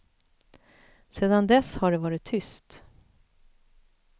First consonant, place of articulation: alveolar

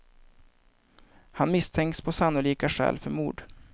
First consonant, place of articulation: glottal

